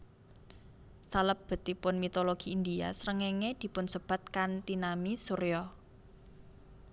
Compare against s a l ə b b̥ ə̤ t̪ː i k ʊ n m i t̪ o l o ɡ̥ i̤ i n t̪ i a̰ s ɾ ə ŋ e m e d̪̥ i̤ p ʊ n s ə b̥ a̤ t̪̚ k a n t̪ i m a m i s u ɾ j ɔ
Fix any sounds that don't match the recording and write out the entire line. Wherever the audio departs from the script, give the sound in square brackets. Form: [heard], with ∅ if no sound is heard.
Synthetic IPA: s a l ə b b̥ ə̤ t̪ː i [p] ʊ n m i t̪ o l o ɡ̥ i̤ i n [d̪] i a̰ s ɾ ə ŋ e [ŋ] e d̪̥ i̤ p ʊ n s ə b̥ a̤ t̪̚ k a n t̪ i [n] a m i s u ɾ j ɔ